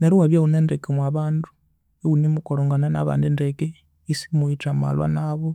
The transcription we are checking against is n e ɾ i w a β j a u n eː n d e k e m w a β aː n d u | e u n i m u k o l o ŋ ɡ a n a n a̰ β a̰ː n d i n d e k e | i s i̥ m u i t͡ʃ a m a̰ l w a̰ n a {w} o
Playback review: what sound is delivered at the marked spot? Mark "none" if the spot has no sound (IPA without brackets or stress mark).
β